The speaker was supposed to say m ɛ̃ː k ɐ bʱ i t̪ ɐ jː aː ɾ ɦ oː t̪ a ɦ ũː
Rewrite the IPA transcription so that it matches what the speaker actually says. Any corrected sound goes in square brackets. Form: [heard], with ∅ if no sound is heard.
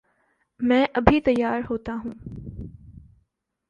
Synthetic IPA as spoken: m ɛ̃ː [ʔ] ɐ bʱ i t̪ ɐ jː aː ɾ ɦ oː t̪ a ɦ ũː